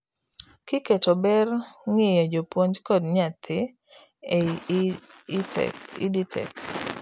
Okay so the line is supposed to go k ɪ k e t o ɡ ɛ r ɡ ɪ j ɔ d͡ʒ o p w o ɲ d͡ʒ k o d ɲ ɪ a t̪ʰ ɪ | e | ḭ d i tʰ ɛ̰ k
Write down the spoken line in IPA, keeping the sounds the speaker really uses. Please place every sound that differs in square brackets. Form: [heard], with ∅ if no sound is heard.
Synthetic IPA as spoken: k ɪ k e t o [b] ɛ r [ŋ] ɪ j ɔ d͡ʒ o p w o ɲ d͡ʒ k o d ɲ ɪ a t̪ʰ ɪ | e | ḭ d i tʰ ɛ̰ k